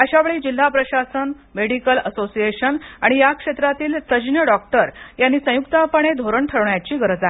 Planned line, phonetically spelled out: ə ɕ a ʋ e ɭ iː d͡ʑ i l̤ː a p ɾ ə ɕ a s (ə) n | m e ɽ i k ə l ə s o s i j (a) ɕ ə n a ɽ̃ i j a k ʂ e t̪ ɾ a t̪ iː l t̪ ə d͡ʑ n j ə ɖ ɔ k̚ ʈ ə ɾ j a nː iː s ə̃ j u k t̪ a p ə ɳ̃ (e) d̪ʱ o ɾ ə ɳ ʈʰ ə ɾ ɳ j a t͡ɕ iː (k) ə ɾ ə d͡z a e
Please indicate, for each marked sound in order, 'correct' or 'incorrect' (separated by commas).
correct, incorrect, correct, incorrect